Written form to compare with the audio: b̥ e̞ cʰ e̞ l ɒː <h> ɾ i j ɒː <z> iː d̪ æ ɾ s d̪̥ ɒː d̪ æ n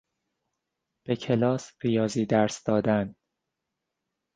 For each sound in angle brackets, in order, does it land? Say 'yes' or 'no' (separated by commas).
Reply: no, yes